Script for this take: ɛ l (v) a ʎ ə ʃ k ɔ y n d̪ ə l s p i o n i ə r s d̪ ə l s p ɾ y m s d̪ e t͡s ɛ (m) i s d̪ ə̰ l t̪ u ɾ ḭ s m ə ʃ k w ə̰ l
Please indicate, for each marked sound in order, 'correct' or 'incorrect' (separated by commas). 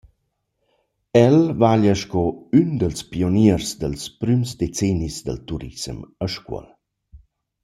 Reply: correct, incorrect